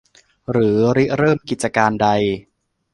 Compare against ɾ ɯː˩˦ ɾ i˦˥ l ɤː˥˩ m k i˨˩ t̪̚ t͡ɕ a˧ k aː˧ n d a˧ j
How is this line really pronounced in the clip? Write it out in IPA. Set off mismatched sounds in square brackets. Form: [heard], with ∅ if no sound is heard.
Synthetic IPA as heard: ɾ ɯː˩˦ ɾ i˦˥ [ɾ] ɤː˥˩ m k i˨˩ t̪̚ t͡ɕ a˧ k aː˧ n d a˧ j

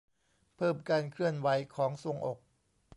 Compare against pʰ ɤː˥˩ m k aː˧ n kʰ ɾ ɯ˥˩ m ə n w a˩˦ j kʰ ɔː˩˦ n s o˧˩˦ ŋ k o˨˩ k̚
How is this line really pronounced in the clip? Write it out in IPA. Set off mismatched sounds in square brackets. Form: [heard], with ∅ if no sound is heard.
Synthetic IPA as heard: pʰ ɤː˥˩ m k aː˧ n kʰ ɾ ɯ˥˩ [∅] ə n w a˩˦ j kʰ ɔː˩˦ [ŋ] s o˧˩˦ ŋ [ʔ] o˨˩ k̚

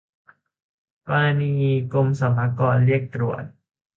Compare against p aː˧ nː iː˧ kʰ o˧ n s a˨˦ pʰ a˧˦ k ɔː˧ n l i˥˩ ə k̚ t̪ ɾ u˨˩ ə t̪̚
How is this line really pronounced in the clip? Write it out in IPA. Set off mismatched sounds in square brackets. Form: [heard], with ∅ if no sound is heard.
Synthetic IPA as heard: p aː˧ [n] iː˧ [k] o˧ [m] s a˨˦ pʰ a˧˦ k ɔː˧ n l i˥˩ ə k̚ t̪ ɾ u˨˩ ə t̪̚

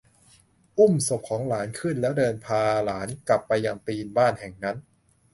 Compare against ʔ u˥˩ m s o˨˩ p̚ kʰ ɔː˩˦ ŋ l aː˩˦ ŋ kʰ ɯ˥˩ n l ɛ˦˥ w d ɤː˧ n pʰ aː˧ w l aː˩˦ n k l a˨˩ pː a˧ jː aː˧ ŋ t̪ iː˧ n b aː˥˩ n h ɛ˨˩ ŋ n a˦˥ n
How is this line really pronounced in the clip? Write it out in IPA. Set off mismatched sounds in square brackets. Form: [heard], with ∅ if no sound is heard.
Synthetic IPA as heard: ʔ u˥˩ m s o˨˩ p̚ kʰ ɔː˩˦ ŋ l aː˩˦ [n] kʰ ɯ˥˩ n l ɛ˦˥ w d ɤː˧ n pʰ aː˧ [∅] l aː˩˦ n k l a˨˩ pː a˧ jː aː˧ ŋ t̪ iː˧ n b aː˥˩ n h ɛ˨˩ ŋ n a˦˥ n

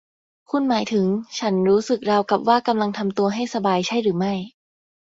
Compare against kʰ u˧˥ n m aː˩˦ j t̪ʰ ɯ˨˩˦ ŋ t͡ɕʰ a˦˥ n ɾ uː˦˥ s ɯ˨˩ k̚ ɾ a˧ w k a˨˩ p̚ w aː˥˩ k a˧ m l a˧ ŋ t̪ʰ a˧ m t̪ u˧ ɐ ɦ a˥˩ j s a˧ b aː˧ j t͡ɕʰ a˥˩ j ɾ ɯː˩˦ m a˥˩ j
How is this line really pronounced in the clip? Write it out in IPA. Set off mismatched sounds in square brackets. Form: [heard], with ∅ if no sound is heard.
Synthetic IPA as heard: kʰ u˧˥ n m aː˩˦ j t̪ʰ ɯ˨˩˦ ŋ t͡ɕʰ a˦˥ n ɾ uː˦˥ s ɯ˨˩ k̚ ɾ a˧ w k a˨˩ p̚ w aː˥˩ k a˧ m l a˧ ŋ t̪ʰ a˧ m t̪ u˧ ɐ ɦ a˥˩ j s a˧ b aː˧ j t͡ɕʰ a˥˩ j ɾ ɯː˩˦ m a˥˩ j

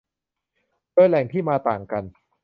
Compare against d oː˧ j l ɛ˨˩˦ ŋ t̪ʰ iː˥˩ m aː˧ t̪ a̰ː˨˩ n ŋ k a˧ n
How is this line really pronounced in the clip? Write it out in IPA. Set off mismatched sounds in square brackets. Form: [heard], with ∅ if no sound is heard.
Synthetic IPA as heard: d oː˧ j l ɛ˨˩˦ ŋ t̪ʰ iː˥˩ m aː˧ t̪ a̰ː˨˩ [∅] ŋ k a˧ n

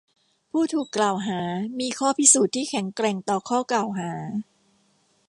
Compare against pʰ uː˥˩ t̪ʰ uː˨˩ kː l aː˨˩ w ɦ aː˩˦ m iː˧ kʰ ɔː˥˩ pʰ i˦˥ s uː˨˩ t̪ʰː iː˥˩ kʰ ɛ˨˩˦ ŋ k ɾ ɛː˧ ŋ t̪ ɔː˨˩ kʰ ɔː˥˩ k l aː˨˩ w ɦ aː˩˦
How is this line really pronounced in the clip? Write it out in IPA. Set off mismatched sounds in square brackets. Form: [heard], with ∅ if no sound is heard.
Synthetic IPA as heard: pʰ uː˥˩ t̪ʰ uː˨˩ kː l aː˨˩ w ɦ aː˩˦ m iː˧ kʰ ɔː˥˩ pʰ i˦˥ s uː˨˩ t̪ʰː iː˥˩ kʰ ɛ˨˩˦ ŋ k ɾ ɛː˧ ŋ t̪ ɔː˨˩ kʰ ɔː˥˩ k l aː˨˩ w ɦ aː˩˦

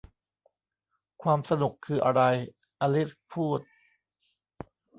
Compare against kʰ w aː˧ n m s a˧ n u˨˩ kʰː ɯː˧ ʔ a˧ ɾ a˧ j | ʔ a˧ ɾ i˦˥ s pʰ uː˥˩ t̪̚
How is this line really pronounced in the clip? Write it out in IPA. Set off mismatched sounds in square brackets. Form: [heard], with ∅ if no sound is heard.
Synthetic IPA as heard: kʰ w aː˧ [∅] m s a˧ n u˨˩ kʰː ɯː˧ ʔ a˧ ɾ a˧ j | ʔ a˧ [l] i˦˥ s pʰ uː˥˩ t̪̚

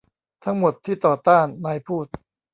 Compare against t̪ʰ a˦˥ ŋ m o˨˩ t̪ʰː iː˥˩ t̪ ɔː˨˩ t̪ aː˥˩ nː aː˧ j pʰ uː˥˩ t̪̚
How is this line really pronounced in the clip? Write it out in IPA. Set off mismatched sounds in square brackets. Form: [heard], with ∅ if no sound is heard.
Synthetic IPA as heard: t̪ʰ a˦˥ ŋ m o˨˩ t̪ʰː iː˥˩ t̪ ɔː˨˩ t̪ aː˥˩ nː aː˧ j pʰ uː˥˩ t̪̚

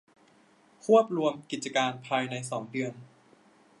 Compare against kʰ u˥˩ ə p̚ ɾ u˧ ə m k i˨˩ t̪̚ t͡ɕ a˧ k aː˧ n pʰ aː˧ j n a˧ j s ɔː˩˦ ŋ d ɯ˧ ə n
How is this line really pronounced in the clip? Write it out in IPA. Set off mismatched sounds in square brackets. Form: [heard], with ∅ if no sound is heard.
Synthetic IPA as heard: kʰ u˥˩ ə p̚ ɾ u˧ ə m k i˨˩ t̪̚ t͡ɕ a˧ k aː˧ n pʰ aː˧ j n a˧ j s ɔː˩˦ ŋ d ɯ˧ ə n

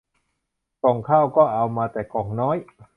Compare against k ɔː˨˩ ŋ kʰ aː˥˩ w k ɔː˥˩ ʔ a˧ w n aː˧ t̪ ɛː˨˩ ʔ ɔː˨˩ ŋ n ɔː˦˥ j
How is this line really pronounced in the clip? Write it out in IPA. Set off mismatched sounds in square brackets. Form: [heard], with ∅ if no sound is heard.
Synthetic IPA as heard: k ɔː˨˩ ŋ kʰ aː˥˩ w k ɔː˥˩ ʔ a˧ w [m] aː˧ t̪ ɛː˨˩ [k] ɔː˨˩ ŋ n ɔː˦˥ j

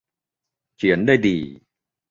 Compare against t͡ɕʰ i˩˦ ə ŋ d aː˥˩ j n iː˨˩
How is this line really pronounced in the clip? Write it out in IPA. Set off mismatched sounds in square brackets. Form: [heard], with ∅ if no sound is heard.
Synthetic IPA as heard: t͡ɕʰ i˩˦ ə [n] d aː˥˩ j [d] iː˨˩

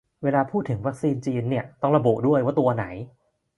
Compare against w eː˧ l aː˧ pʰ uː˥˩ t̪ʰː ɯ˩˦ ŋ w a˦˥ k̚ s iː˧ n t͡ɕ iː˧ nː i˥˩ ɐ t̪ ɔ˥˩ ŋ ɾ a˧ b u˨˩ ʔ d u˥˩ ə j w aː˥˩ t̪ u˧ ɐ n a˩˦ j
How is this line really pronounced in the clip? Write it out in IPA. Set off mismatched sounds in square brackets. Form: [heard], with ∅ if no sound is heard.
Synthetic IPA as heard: w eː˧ l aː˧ pʰ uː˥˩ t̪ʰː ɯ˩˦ ŋ w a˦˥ k̚ s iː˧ n t͡ɕ iː˧ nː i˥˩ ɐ t̪ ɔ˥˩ ŋ ɾ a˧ b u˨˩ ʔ d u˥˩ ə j w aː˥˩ t̪ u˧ ɐ n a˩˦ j

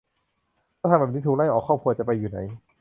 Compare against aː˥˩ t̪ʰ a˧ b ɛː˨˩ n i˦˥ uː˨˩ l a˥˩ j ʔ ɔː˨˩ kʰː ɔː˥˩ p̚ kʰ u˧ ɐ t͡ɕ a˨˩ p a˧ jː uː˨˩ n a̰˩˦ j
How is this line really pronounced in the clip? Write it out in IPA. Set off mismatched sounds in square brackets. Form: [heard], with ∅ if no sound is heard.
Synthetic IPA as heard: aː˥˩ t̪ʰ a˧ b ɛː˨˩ n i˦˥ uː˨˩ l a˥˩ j ʔ ɔː˨˩ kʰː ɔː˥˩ p̚ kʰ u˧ ɐ t͡ɕ a˨˩ p a˧ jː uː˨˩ n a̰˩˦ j

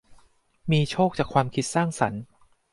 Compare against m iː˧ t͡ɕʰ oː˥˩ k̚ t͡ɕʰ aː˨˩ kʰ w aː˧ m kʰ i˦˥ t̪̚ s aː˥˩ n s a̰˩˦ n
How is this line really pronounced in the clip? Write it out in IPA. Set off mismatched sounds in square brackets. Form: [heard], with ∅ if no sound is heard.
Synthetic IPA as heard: m iː˧ t͡ɕʰ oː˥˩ k̚ [t͡ɕ] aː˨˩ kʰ w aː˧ m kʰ i˦˥ t̪̚ s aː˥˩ [ŋ] s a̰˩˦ n

